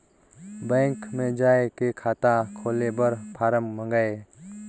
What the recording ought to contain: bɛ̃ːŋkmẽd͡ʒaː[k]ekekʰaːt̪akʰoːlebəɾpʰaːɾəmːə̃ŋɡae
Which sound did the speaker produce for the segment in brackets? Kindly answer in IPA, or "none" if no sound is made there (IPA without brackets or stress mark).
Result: none